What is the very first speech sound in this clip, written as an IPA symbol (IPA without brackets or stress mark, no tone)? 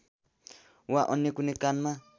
w